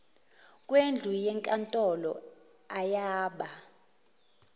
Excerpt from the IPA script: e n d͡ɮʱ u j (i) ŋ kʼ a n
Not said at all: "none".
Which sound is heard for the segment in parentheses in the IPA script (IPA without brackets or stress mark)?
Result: ɛ